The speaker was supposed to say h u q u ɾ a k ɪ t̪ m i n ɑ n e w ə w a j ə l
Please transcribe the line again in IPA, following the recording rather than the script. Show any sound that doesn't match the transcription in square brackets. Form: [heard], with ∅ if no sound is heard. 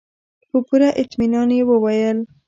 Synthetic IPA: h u [p] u ɾ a [ʔ] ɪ t̪ m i n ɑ n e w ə w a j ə l